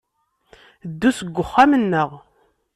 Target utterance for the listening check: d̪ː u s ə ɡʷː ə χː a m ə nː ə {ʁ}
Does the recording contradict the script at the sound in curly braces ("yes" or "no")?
no